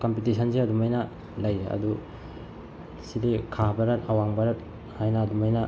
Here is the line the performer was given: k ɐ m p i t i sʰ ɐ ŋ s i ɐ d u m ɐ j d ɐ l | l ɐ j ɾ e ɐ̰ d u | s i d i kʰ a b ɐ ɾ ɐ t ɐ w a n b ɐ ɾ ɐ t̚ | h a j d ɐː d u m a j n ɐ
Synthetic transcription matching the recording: k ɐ m p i t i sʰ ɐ n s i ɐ d u m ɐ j n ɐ | l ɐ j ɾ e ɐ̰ d u | s i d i kʰ a b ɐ ɾ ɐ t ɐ w a ŋ b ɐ ɾ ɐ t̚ | h a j n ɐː d u m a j n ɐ